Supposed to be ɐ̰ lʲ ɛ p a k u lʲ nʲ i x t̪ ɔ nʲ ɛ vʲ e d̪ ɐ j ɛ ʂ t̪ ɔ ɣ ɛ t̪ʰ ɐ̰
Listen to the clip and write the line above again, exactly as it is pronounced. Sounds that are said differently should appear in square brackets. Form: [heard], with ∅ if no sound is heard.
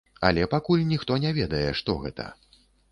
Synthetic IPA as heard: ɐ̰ lʲ ɛ p a k u lʲ nʲ i x t̪ ɔ nʲ ɛ vʲ [ɛ] d̪ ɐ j ɛ ʂ t̪ ɔ ɣ ɛ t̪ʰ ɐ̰